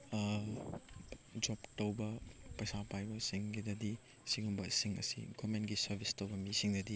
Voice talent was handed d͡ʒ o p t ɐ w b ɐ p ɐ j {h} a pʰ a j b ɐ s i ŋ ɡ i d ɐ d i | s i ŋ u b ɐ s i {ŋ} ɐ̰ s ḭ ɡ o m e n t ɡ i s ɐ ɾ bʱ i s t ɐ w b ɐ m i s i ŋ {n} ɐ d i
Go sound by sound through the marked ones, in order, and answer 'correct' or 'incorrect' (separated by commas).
incorrect, correct, incorrect